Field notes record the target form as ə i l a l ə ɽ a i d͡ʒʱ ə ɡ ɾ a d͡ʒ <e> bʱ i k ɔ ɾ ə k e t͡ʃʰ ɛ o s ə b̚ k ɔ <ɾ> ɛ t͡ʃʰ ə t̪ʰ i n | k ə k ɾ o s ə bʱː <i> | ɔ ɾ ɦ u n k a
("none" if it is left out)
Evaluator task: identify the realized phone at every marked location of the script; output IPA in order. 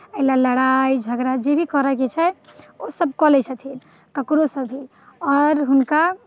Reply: e, l, i

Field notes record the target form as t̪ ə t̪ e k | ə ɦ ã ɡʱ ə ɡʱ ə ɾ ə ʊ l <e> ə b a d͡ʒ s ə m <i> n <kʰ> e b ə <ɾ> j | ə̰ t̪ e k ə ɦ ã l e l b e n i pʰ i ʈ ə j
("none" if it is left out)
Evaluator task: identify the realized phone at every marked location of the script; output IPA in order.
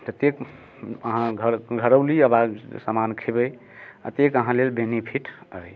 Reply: i, a, kʰ, none

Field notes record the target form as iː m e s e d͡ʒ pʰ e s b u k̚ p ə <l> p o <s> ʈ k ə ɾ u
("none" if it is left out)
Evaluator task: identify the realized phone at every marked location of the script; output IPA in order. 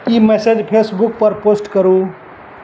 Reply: ɾ, s

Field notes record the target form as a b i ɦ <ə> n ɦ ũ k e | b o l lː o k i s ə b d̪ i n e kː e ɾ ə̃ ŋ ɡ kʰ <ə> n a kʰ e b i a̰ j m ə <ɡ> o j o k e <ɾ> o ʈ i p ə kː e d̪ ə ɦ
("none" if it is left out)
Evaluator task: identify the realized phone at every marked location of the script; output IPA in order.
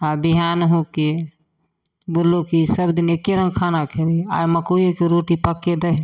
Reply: a, a, k, ɾ

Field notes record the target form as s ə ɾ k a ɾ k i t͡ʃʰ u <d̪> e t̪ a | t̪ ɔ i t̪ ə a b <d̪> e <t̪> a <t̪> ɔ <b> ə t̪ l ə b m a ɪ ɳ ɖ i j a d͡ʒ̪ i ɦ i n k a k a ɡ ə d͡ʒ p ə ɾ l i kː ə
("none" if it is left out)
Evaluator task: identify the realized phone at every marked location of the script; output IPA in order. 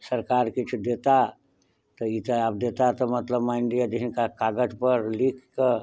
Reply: d̪, d̪, t̪, t̪, m

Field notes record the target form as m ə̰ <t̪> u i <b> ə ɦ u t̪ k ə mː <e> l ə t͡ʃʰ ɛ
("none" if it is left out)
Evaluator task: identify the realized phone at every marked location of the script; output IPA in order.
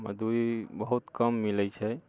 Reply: d̪, b, i

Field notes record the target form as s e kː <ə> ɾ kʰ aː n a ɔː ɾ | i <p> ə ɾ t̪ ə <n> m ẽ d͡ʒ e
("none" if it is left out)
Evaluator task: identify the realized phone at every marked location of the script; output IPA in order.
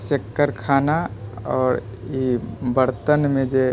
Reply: ə, b, n

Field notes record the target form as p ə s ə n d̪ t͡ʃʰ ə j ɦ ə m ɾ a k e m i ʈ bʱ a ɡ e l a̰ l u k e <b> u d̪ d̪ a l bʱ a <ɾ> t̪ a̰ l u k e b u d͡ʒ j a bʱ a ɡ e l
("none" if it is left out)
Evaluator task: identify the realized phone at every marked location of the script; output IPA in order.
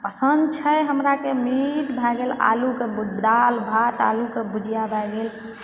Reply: b, none

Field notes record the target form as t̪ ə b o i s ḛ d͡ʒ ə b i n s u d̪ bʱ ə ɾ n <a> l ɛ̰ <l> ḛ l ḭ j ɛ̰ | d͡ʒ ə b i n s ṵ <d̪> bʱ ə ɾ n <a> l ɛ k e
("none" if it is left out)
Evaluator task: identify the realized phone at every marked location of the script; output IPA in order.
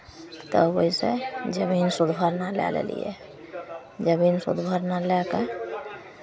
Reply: a, l, d̪, a

